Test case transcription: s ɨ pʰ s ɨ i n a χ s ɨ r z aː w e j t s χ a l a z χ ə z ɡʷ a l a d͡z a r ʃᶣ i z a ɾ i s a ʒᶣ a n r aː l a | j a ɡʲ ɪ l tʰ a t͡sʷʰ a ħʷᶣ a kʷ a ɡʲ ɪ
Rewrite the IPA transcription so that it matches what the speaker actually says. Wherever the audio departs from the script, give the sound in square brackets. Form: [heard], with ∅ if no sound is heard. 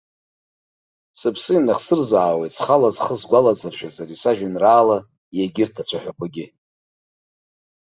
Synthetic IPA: s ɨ pʰ s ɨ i n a χ s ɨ r z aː w e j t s χ a l a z χ ə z ɡʷ a l a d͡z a r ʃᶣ [a] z a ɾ i s a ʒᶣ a n r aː l a | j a ɡʲ ɪ [r] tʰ a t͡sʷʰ a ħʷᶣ a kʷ a ɡʲ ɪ